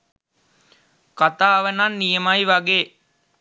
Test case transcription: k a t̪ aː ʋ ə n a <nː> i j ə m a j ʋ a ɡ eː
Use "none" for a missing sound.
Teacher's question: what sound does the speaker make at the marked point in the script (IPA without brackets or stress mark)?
nː